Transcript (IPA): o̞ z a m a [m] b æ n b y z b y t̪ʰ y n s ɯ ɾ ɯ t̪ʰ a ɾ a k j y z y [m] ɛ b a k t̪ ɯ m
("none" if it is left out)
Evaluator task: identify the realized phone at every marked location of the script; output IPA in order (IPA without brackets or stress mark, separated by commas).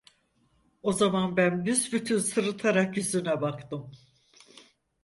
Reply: n, n